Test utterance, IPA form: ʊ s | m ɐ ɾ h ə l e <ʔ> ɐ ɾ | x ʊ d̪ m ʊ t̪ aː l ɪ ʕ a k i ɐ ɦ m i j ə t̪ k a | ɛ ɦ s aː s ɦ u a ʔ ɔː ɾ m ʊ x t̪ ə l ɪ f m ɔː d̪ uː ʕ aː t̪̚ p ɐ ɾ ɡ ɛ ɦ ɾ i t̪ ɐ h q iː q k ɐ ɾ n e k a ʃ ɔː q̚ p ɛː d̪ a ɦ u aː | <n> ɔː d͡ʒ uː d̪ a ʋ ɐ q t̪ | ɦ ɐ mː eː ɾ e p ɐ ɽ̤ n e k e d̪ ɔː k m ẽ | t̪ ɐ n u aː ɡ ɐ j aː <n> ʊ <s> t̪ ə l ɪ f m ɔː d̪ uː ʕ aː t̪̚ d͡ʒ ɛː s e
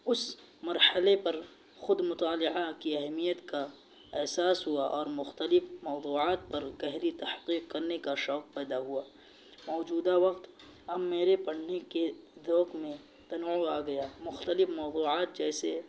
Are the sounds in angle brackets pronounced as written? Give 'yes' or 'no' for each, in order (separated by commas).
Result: no, no, no, no